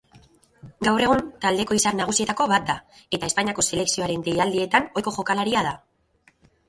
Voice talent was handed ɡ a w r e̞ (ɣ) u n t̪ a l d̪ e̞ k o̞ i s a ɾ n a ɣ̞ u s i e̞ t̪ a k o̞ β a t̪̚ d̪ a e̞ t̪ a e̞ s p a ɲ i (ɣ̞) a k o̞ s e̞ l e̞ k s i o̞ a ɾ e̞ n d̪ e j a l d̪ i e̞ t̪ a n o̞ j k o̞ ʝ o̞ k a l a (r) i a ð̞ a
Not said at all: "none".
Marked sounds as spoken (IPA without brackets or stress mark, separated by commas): ɣ, none, ɾ